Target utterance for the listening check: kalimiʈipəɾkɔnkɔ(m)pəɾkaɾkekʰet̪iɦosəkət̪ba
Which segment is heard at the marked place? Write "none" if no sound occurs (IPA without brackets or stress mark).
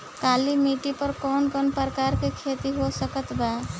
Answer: n